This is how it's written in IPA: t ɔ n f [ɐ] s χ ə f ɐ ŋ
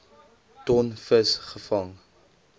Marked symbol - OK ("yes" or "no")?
no